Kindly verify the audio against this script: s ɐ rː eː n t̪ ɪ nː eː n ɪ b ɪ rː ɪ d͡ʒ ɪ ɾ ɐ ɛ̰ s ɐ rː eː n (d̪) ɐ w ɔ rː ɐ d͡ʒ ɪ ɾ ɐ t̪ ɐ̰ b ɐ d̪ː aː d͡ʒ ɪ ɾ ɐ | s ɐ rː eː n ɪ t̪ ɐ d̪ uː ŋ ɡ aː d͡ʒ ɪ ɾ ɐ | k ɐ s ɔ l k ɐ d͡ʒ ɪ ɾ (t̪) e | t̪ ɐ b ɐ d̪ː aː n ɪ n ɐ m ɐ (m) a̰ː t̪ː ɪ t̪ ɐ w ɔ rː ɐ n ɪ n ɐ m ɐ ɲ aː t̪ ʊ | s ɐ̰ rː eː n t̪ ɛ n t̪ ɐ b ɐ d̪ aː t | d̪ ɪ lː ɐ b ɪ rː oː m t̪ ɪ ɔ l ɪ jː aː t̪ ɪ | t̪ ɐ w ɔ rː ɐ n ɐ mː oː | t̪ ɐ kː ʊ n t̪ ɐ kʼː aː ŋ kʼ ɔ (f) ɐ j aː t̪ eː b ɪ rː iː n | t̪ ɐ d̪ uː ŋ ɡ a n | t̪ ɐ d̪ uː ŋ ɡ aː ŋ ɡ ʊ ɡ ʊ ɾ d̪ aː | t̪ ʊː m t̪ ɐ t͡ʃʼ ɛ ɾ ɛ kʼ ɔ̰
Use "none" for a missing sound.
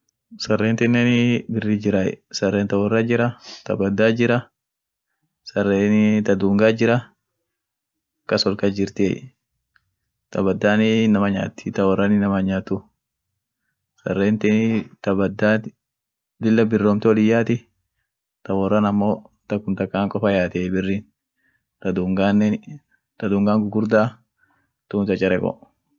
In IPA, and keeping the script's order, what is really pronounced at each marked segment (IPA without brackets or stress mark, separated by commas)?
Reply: t̪, t̪, ɲ, f